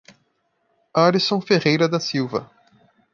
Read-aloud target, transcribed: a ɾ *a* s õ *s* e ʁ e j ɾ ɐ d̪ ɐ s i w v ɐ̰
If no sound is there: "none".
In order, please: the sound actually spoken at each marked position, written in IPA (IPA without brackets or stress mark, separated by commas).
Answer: i, f